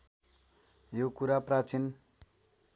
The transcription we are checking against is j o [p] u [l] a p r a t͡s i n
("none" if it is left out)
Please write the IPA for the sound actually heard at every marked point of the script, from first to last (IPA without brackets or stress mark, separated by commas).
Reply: k, ɾ